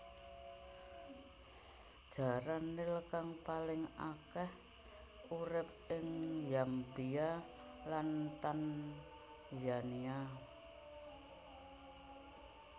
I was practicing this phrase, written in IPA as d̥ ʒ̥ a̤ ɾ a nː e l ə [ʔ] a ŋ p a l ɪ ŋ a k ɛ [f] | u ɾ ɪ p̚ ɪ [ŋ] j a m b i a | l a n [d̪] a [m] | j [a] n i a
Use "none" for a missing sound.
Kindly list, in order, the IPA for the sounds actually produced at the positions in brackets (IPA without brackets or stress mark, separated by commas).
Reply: k, h, ŋ, t̪, n, a